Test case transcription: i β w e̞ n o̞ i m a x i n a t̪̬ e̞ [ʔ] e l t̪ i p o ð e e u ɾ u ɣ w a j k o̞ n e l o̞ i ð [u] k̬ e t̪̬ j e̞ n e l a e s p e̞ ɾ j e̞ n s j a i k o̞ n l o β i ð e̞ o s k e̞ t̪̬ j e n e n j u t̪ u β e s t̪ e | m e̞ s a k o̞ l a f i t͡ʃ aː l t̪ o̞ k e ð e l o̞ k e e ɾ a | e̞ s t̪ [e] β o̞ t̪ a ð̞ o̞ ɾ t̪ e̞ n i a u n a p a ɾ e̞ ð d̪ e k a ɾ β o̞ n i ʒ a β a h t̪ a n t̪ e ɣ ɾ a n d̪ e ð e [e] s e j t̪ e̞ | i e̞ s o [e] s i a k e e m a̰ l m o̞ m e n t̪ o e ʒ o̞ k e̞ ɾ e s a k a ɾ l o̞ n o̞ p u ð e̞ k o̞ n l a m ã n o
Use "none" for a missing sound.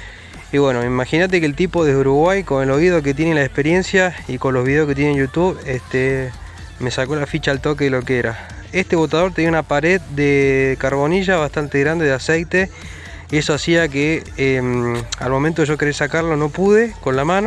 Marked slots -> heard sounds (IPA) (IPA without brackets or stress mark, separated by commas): k, o, e, a, a